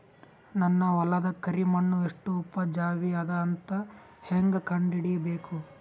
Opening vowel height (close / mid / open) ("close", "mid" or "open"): open